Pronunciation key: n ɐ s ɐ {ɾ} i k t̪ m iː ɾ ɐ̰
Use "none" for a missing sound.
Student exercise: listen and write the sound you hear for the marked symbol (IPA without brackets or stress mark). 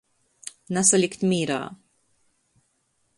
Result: l